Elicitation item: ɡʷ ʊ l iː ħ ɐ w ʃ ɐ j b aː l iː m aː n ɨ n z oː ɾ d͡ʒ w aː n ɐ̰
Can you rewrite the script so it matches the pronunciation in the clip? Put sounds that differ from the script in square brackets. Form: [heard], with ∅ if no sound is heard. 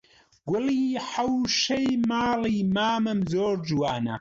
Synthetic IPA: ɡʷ ʊ l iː ħ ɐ w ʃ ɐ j [m] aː l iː m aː [m] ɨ [m] z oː ɾ d͡ʒ w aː n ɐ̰